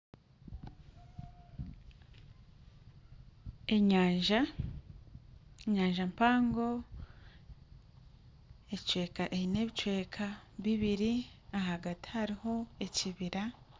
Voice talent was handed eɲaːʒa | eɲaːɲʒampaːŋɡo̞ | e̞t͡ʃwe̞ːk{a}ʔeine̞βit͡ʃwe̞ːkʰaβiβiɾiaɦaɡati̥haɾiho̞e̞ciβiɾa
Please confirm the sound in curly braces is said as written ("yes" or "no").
yes